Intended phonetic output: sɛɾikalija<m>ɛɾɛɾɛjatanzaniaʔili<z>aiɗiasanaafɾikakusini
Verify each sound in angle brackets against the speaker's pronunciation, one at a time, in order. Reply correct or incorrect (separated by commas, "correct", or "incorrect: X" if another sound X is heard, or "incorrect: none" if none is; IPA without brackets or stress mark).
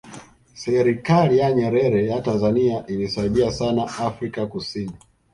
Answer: incorrect: ɲ, incorrect: s